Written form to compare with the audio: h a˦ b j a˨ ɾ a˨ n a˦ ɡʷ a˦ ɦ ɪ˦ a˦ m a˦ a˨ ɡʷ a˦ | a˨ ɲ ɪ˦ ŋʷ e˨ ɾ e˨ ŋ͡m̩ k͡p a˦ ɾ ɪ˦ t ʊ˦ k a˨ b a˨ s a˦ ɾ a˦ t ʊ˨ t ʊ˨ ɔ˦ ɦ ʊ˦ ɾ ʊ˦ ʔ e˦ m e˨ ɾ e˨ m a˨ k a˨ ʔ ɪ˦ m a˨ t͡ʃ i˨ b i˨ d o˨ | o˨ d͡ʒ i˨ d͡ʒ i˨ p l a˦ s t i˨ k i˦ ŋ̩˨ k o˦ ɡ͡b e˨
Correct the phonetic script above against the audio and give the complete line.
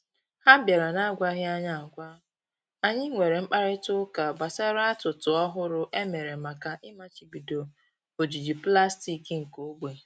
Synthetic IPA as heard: h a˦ b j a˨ ɾ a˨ n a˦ ɡʷ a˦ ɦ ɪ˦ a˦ ɲ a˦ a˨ ɡʷ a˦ | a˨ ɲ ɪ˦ ŋʷ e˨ ɾ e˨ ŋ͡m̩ k͡p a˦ ɾ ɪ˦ t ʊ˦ k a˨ b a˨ s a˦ ɾ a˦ t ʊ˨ t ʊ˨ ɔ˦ ɦ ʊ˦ ɾ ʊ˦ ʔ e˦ m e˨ ɾ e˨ m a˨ k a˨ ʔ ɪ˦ m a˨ t͡ʃ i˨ b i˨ d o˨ | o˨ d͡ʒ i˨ d͡ʒ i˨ p l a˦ s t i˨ k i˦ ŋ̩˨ k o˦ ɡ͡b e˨